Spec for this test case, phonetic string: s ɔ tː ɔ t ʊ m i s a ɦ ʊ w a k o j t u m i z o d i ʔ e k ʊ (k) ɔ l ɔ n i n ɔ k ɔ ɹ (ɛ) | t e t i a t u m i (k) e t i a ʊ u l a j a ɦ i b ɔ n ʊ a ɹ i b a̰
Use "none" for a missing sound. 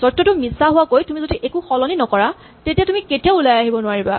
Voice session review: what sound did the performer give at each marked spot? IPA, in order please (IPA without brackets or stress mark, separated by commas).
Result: x, a, k